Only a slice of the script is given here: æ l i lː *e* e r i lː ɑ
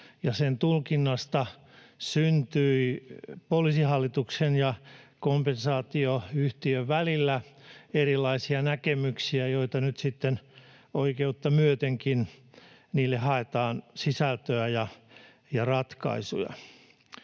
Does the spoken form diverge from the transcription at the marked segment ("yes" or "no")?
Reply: yes